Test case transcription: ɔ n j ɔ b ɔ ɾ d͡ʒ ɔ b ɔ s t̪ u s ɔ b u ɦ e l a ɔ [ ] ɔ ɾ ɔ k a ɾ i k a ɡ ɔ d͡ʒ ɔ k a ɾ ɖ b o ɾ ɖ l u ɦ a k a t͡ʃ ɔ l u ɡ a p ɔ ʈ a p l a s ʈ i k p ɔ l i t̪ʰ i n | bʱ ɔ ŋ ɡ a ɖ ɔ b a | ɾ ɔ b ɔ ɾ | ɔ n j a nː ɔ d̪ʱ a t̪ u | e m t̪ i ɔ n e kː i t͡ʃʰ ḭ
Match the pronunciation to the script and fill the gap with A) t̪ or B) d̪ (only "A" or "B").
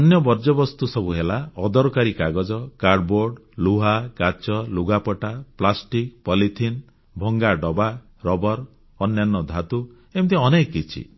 B